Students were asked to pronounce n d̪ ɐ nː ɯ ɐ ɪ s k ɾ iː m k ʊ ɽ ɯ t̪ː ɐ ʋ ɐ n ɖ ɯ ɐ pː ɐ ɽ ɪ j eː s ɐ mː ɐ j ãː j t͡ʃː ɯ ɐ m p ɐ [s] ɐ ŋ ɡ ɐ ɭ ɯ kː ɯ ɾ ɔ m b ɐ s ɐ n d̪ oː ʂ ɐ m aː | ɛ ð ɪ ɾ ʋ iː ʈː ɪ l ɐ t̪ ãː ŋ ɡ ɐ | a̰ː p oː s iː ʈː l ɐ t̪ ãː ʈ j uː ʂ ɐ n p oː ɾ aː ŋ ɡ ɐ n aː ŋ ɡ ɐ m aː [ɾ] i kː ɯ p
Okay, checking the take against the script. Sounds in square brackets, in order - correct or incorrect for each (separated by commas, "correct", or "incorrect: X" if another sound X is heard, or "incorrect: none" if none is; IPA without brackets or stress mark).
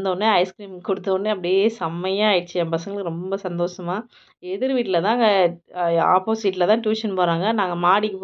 correct, incorrect: ɽ